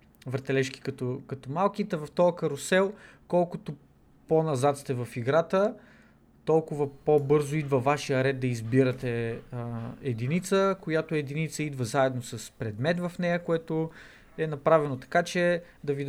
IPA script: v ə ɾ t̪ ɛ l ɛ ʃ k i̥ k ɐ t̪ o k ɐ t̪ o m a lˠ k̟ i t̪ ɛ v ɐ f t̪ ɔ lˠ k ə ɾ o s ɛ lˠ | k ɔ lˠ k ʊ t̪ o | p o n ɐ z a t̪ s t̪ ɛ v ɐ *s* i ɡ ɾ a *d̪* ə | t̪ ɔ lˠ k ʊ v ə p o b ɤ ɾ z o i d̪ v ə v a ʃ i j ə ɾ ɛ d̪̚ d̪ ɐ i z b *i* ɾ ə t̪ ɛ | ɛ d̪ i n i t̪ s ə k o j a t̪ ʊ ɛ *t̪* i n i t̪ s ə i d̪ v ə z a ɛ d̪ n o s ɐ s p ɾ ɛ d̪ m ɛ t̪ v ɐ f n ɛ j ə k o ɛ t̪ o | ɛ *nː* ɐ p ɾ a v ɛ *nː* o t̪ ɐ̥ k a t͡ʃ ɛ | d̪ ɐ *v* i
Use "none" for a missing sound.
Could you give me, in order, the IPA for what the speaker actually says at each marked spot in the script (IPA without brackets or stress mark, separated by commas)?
f, t̪, i, d̪, n, n, v